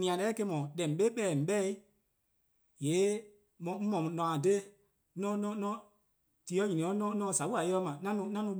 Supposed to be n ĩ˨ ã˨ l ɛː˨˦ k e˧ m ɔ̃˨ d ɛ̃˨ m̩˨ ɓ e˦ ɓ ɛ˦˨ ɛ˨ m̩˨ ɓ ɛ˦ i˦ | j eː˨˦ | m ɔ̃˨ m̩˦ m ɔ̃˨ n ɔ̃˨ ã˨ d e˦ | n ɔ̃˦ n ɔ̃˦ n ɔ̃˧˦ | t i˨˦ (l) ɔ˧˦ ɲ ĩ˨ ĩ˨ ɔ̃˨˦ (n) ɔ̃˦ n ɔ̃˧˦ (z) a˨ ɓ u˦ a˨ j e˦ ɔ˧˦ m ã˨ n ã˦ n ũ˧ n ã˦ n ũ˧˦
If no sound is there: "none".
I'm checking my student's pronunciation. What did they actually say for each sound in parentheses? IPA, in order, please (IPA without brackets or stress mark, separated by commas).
none, n, s